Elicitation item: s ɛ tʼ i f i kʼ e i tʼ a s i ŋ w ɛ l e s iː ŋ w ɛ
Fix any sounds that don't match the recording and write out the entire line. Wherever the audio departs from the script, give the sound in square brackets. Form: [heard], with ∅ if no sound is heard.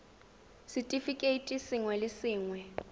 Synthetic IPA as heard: s [i] tʼ i f i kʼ e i tʼ [i] s i ŋ w ɛ l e s iː ŋ w ɛ